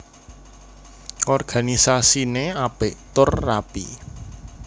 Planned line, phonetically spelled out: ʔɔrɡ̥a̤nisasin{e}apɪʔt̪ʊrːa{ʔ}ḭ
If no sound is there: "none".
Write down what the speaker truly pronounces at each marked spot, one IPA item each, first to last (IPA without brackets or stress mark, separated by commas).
e, p